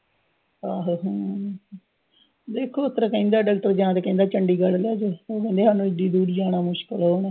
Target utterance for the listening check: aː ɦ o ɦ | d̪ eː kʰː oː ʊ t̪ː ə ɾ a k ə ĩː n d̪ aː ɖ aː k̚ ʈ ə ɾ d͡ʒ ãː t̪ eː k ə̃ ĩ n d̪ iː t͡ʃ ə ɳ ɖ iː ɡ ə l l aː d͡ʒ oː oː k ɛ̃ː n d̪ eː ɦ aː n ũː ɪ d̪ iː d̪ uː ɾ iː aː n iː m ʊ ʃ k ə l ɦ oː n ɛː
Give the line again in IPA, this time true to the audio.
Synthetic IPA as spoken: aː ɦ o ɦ | d̪ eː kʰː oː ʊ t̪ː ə ɾ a k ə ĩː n d̪ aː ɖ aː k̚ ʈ ə ɾ d͡ʒ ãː t̪ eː k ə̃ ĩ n d̪ aː t͡ʃ ə ɳ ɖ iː ɡ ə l l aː d͡ʒ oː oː k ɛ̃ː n d̪ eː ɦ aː n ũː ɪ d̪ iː d̪ uː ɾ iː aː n aː m ʊ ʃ k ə l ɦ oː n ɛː

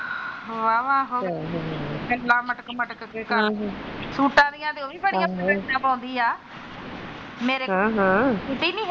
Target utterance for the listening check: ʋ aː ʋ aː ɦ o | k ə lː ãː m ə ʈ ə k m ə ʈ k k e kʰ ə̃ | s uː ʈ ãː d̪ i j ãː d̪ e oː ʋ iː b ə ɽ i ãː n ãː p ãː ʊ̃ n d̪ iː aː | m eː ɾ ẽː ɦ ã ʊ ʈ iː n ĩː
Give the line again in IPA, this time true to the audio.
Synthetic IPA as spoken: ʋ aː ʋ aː ɦ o | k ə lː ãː m ə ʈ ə k m ə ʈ k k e k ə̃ | s uː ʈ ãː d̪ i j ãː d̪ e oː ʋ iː b ə ɽ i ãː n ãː p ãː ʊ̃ n d̪ iː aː | m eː ɾ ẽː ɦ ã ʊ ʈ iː n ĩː

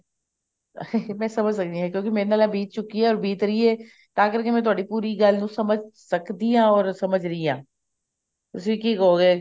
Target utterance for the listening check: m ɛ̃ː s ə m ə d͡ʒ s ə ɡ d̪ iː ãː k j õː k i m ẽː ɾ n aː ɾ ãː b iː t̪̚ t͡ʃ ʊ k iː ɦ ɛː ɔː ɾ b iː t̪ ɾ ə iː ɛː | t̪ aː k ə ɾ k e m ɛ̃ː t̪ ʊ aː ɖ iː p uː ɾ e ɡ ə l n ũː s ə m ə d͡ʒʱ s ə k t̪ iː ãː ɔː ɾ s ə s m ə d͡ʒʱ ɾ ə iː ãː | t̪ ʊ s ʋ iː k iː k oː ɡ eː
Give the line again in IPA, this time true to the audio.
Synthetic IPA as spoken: m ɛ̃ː s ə m ə d͡ʒ s ə k d̪ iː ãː k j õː k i m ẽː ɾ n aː l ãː b iː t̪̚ t͡ʃ ʊ k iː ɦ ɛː ɔː ɾ b iː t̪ ɾ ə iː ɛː | t̪ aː k ə ɾ k e m ɛ̃ː t̪ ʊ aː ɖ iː p uː ɾ i ɡ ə l n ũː s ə m ə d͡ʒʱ s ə k d̪ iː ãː ɔː ɾ s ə m ə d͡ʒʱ ɾ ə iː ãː | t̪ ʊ s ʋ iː k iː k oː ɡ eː

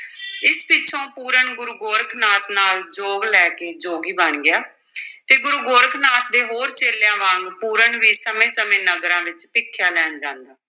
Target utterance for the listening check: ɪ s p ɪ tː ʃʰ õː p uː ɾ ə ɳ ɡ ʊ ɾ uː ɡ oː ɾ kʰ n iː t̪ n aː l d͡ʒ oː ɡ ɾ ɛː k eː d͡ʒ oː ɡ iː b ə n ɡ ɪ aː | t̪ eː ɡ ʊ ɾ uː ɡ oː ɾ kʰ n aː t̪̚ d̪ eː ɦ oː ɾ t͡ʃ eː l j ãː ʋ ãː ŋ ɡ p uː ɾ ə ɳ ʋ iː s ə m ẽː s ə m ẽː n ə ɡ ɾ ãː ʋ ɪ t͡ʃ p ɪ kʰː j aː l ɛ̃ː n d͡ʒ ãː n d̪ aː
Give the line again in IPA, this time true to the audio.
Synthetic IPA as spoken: ɪ s p ɪ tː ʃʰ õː p uː ɾ ə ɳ ɡ ʊ ɾ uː ɡ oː ɾ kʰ n aː t̪ n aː l d͡ʒ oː ɡ l ɛː k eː d͡ʒ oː ɡ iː b ə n ɡ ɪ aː | t̪ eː ɡ ʊ ɾ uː ɡ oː ɾ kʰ n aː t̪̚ d̪ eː ɦ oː ɾ t͡ʃ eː l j ãː ʋ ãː ŋ ɡ p uː ɾ ə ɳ ʋ iː s ə m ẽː s ə m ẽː n ə ɡ ɾ ãː ʋ ɪ t͡ʃ p ɪ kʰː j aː l ɛː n d͡ʒ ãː n d̪ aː

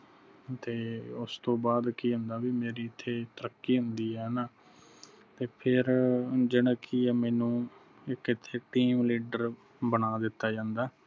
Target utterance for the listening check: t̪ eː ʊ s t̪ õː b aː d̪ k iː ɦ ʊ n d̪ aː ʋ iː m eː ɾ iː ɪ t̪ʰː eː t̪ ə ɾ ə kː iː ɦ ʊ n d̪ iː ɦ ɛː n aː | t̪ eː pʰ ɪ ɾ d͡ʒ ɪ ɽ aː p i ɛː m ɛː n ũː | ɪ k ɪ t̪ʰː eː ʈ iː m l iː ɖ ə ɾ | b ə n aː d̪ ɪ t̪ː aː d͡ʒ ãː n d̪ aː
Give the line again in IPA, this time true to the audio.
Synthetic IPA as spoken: t̪ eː ʊ s t̪ õː b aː d̪ k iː ɦ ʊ n d̪ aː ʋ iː m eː ɾ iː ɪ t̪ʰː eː t̪ ə ɾ ə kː iː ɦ ʊ n d̪ iː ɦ ɛː n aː | t̪ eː pʰ ɪ ɾ d͡ʒ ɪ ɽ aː k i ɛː m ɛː n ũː | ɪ k ɪ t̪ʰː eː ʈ iː m l iː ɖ ə ɾ | b ə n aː d̪ ɪ t̪ː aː d͡ʒ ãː n d̪ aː

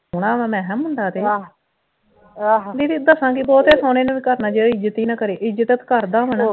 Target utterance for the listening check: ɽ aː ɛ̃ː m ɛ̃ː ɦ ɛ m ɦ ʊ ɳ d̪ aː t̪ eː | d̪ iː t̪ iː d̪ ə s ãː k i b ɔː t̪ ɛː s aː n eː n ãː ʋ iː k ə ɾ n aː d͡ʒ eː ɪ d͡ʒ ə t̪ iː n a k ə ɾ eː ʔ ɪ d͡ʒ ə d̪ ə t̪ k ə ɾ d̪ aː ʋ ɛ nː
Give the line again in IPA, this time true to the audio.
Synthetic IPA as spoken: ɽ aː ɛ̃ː m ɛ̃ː ɦ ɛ m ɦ ʊ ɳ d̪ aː t̪ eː | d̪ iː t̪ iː d̪ ə s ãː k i b ɔː t̪ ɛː s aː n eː n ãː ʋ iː k ə ɾ n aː d͡ʒ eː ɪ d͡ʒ ə t̪ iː n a k ə ɾ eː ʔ ɪ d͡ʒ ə t̪ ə t̪ k ə ɾ d̪ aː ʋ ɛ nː

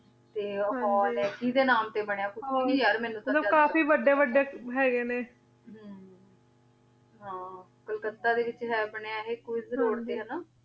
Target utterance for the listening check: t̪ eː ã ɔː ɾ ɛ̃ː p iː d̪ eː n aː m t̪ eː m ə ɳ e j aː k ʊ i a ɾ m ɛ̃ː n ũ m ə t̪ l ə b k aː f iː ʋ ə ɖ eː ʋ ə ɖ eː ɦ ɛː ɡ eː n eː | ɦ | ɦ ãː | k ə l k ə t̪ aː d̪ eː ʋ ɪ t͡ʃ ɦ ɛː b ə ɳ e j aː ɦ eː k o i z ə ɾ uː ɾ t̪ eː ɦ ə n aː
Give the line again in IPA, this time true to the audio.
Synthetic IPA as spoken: t̪ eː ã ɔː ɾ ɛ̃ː k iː d̪ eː n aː m t̪ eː b ə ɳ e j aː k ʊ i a ɾ m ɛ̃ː n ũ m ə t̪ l ə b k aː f iː ʋ ə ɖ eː ʋ ə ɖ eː ɦ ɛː ɡ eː n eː | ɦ | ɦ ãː | k ə l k ə t̪ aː d̪ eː ʋ ɪ t͡ʃ ɦ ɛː b ə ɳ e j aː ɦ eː k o i z ə ɾ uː ɾ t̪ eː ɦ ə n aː

